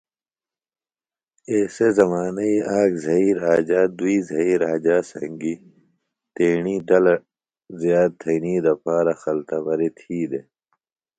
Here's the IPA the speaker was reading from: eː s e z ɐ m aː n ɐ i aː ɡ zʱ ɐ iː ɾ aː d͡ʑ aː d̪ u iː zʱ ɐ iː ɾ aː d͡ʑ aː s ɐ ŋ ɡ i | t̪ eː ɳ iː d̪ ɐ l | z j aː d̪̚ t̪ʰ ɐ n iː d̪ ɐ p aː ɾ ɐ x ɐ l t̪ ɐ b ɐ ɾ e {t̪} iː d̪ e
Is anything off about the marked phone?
yes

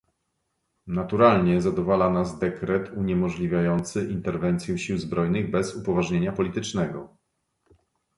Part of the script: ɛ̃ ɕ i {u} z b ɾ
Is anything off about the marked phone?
yes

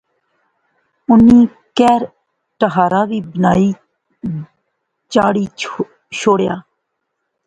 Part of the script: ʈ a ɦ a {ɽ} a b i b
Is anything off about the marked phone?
yes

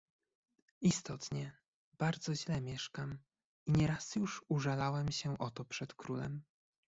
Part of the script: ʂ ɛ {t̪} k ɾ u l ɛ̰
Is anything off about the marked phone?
no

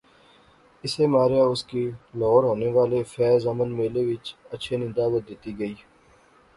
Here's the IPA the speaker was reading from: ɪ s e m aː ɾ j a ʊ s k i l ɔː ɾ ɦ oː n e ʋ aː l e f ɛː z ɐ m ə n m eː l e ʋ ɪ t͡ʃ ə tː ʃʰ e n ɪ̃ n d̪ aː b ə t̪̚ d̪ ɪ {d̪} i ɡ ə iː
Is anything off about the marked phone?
yes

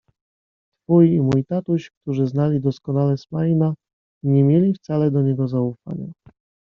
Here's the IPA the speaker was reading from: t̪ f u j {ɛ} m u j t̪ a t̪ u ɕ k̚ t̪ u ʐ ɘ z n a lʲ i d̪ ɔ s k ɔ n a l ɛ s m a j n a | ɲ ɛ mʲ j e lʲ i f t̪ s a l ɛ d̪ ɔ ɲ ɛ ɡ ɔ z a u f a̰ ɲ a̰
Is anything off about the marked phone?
yes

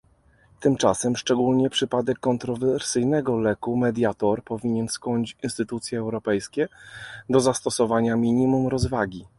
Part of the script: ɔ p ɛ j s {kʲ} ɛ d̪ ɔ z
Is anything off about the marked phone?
no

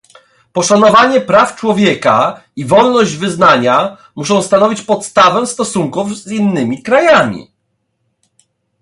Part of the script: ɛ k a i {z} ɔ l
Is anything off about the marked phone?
yes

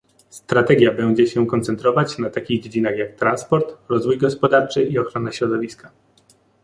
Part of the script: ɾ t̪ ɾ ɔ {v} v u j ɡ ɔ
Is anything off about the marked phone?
yes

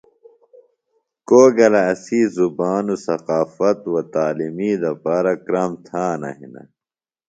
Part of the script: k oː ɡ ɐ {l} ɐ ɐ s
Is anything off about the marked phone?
no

